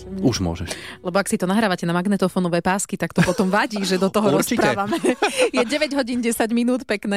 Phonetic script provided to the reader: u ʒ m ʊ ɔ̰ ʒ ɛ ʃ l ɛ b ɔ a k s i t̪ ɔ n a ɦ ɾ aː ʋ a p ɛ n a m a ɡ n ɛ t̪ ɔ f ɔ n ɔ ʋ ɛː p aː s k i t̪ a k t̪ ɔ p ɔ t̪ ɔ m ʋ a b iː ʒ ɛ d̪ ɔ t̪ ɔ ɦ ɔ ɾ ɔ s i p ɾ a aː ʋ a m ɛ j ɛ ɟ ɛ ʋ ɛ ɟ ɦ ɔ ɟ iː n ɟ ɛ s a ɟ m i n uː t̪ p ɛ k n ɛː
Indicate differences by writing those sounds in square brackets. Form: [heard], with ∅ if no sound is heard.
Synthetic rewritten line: u ʒ m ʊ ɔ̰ ʒ ɛ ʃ l ɛ b ɔ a k s i t̪ ɔ n a ɦ ɾ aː ʋ a [c] ɛ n a m a ɡ n ɛ t̪ ɔ f ɔ n ɔ ʋ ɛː p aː s k i t̪ a k t̪ ɔ p ɔ t̪ ɔ m ʋ a [ɟ] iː ʒ ɛ d̪ ɔ t̪ ɔ ɦ ɔ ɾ ɔ s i p ɾ a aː ʋ a m ɛ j ɛ ɟ ɛ ʋ ɛ ɟ ɦ ɔ ɟ iː n ɟ ɛ s a ɟ m i n uː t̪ p ɛ k n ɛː